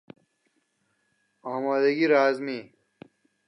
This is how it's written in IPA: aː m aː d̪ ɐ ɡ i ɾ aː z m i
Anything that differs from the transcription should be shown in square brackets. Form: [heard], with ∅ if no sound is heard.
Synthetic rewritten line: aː m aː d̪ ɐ ɡ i ɾ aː z m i

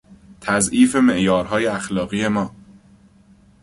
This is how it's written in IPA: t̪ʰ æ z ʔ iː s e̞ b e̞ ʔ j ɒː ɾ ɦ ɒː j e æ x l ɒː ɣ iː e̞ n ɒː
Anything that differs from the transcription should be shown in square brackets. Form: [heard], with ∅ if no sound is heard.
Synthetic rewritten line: t̪ʰ æ z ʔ iː [f] e̞ [m] e̞ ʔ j ɒː ɾ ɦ ɒː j e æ x l ɒː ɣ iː e̞ [m] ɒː

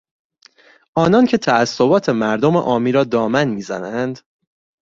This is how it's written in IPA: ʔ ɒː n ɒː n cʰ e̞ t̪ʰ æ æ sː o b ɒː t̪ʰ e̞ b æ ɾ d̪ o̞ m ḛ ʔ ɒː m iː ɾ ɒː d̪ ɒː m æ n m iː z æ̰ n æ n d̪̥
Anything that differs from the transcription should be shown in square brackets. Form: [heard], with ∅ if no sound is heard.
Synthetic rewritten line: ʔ ɒː n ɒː n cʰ e̞ t̪ʰ æ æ sː o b ɒː t̪ʰ e̞ [m] æ ɾ d̪ o̞ m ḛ ʔ ɒː m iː ɾ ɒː d̪ ɒː m æ n m iː z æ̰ n æ n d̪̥

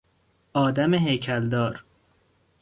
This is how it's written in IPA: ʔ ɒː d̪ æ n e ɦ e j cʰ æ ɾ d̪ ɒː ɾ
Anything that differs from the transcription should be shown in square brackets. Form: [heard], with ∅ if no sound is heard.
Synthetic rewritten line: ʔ ɒː d̪ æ [m] e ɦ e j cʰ æ [l] d̪ ɒː ɾ

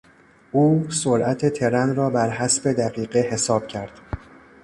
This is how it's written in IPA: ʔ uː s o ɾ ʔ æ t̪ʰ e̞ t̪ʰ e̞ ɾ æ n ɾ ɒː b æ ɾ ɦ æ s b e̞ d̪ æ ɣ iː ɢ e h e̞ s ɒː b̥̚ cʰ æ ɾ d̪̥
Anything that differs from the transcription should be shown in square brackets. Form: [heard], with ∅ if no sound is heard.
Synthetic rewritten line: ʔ uː s o ɾ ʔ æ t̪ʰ e̞ t̪ʰ e̞ ɾ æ n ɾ ɒː b æ ɾ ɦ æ s b e̞ d̪ æ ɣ iː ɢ e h e̞ s ɒː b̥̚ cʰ æ ɾ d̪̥

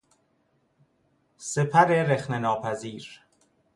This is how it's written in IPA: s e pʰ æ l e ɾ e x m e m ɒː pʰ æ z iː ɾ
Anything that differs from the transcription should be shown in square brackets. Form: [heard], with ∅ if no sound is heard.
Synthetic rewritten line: s e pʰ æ [ɾ] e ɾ e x [n] e [n] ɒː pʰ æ z iː ɾ

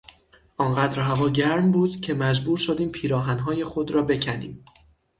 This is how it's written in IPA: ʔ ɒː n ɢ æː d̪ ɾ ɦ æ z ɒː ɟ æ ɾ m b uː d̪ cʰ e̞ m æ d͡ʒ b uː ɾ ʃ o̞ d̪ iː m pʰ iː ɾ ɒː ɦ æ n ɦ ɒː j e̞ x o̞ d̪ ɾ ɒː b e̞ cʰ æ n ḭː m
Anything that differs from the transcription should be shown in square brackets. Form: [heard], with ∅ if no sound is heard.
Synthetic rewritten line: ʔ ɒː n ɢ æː d̪ ɾ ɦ æ [v] ɒː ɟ æ ɾ m b uː d̪ cʰ e̞ m æ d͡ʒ b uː ɾ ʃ o̞ d̪ iː m pʰ iː ɾ ɒː ɦ æ n ɦ ɒː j e̞ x o̞ d̪ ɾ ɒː b e̞ cʰ æ n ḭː m

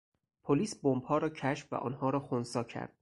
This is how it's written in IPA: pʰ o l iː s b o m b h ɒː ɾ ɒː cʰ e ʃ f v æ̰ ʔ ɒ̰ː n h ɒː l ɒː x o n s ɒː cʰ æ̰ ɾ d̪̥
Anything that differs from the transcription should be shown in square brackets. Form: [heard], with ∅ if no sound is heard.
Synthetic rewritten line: pʰ o l iː s b o m b h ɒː ɾ ɒː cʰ [æ] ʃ f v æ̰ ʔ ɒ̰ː n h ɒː [ɾ] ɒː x o n s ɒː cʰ æ̰ ɾ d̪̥

